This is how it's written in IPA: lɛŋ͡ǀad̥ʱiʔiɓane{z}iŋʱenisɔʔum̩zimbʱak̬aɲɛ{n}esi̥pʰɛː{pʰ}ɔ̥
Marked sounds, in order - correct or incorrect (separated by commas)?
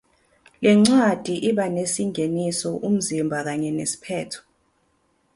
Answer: incorrect, correct, incorrect